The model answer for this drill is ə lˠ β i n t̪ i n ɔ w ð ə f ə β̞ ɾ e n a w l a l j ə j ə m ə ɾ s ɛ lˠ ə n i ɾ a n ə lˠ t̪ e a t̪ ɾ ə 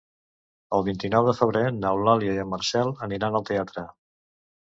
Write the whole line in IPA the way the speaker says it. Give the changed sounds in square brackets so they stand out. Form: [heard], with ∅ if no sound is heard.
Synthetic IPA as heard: ə lˠ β i n t̪ i n ɔ w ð ə f ə β̞ ɾ e n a w l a l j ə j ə m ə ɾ s ɛ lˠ ə n i ɾ a n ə lˠ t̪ e a t̪ ɾ ə